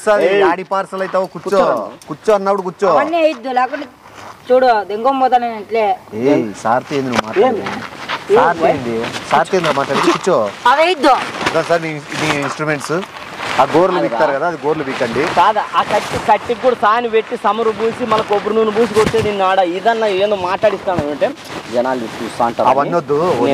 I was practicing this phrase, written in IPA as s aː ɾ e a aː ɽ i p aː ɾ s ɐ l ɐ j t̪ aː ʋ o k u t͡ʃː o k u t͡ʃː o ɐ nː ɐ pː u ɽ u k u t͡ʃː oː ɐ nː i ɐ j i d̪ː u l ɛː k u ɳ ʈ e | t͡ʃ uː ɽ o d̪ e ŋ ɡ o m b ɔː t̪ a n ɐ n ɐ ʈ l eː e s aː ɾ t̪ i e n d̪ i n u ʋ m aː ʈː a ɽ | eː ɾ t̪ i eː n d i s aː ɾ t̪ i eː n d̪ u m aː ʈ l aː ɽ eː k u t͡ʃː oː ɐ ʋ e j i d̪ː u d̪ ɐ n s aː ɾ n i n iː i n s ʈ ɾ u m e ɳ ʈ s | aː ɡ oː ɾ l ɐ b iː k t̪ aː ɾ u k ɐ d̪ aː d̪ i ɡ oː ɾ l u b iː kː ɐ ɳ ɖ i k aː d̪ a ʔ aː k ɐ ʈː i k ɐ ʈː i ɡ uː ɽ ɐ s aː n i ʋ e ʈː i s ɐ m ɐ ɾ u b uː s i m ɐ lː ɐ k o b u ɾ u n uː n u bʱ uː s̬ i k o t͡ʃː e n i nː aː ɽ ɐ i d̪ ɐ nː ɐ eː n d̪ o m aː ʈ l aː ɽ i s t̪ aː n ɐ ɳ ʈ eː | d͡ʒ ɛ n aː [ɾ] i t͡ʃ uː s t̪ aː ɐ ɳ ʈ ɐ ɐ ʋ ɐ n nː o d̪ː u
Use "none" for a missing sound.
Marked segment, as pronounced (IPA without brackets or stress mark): l